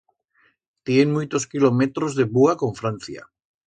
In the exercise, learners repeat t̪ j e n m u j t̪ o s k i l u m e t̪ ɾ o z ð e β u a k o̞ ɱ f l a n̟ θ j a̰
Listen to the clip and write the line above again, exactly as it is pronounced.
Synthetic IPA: t̪ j e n m u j t̪ o s k i l o m e t̪ ɾ o z ð e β u a k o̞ ɱ f ɾ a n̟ θ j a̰